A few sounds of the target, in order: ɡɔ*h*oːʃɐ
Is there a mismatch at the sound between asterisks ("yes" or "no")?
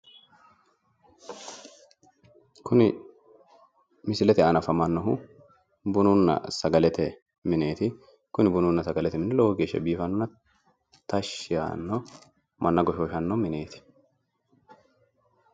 yes